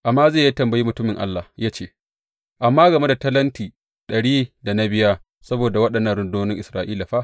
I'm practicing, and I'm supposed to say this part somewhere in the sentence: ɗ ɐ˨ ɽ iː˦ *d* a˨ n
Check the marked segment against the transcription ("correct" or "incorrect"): correct